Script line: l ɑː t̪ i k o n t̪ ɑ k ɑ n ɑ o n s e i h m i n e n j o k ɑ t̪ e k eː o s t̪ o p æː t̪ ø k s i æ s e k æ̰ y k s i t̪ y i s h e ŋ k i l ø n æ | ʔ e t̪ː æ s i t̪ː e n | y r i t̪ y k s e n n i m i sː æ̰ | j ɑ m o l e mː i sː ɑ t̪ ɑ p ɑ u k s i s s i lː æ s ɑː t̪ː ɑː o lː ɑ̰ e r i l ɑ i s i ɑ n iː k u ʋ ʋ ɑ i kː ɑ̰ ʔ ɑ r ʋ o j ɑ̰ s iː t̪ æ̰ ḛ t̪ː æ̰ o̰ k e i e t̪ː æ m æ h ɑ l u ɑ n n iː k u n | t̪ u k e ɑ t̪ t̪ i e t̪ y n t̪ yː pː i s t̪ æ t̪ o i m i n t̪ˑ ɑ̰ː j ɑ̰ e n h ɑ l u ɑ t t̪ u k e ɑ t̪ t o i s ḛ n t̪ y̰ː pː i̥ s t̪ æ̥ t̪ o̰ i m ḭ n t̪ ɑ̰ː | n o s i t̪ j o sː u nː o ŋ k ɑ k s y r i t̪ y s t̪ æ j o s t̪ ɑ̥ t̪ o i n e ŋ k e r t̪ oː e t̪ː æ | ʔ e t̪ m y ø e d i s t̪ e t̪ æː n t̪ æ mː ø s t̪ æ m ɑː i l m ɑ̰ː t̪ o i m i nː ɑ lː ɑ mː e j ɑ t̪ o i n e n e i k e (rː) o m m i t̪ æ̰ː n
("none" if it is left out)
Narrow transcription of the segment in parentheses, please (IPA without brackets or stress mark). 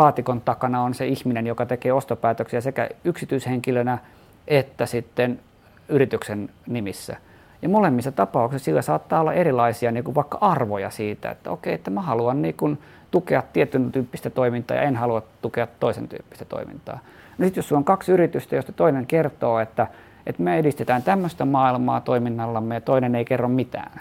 rː